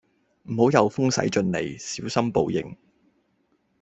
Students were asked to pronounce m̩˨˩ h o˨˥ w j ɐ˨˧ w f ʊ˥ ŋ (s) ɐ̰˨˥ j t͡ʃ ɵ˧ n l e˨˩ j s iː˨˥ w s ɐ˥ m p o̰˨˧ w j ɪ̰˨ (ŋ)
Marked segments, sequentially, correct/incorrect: correct, correct

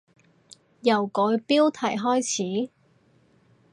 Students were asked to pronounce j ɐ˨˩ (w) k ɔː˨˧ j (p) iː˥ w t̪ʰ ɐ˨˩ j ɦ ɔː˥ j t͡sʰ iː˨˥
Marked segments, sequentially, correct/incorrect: correct, correct

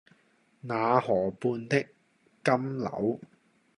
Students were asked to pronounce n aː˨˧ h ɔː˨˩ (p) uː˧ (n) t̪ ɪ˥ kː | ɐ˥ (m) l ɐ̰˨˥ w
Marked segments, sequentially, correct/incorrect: correct, correct, correct

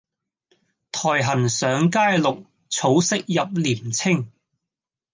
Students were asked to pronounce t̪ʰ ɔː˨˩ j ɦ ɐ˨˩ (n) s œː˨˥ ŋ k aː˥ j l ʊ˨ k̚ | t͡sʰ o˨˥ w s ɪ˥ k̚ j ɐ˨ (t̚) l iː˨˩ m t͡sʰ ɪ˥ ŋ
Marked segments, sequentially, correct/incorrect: correct, incorrect

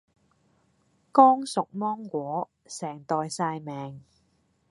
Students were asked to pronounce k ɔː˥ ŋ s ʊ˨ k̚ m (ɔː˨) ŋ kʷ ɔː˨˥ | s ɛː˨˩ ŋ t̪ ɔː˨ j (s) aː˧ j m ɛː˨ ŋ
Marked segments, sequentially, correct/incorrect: incorrect, correct

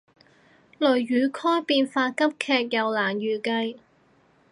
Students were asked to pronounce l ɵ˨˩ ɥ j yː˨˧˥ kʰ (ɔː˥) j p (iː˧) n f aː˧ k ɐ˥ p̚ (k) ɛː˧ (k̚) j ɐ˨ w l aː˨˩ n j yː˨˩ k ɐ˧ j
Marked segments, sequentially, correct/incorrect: correct, correct, incorrect, correct

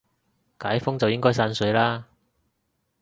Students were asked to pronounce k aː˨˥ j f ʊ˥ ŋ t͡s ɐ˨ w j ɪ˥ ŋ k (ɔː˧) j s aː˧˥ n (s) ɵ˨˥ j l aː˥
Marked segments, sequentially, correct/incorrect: incorrect, correct

